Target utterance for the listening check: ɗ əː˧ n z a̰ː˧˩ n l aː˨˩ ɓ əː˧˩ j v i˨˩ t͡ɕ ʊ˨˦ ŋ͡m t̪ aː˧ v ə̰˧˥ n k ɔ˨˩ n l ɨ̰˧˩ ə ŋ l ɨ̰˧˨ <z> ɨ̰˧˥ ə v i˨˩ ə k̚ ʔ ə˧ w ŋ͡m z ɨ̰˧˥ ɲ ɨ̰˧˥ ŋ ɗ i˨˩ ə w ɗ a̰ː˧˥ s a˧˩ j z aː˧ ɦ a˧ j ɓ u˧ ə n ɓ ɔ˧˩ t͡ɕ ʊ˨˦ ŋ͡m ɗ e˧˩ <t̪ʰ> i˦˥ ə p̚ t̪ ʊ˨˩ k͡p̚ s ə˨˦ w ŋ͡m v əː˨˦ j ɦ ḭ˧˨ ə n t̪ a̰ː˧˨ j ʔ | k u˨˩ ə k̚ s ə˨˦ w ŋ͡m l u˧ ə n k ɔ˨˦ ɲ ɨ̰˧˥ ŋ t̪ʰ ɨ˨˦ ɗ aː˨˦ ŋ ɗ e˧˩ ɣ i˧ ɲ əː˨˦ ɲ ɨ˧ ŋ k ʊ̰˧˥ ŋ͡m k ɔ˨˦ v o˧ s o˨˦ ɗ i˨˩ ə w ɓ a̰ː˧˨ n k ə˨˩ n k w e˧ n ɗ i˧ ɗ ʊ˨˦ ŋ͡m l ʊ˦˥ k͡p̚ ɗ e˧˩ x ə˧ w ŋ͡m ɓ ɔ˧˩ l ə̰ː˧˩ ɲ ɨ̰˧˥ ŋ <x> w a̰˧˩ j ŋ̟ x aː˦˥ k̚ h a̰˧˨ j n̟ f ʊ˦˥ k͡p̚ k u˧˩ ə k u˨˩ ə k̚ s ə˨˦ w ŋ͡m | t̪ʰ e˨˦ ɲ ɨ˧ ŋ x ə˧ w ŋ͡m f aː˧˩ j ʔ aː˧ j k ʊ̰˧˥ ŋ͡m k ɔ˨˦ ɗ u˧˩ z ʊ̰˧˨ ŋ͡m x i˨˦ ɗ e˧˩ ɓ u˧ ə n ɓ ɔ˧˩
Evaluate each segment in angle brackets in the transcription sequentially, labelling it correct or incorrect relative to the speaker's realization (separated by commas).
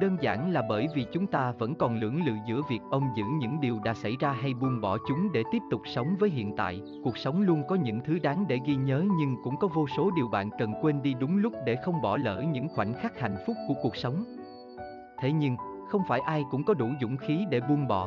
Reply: correct, incorrect, correct